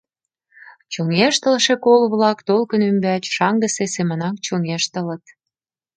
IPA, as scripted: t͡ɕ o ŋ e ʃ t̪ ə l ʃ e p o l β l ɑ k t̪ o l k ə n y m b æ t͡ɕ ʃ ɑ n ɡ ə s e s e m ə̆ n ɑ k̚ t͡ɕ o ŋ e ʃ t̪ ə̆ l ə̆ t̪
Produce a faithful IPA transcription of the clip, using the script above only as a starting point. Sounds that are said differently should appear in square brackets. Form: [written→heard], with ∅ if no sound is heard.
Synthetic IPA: t͡ɕ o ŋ e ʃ t̪ ə l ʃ e [p→k] o l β l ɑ k t̪ o l k ə n y m b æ t͡ɕ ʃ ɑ [n→ŋ] ɡ ə s e s e m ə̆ n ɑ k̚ t͡ɕ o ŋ e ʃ t̪ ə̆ l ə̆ t̪